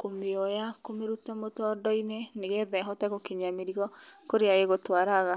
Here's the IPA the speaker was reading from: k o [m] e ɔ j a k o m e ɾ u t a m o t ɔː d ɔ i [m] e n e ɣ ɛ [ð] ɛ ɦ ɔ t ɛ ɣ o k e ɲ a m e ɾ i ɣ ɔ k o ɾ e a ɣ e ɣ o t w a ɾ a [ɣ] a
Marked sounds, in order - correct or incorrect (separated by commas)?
correct, incorrect, correct, correct